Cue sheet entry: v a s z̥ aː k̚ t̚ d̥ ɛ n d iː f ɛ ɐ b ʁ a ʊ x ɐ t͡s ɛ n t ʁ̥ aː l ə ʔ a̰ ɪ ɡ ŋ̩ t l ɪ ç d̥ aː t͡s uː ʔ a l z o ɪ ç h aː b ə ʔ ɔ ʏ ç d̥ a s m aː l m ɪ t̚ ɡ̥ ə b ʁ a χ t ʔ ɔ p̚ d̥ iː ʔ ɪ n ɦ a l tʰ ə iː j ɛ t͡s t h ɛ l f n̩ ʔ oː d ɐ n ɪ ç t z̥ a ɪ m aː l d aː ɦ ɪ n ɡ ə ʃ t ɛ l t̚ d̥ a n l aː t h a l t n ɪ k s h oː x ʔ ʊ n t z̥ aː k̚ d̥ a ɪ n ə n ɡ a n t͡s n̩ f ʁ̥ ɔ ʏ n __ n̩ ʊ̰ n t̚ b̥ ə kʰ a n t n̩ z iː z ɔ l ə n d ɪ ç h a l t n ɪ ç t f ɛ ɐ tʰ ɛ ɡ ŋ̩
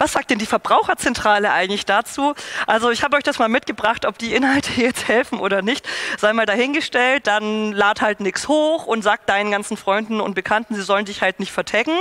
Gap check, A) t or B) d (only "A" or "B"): B